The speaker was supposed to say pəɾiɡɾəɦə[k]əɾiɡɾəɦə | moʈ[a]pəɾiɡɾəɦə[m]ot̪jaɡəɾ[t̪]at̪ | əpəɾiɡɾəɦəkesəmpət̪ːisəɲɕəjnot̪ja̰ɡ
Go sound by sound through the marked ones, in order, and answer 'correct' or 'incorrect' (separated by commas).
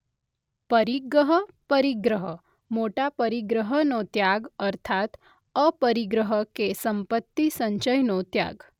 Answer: incorrect, correct, incorrect, incorrect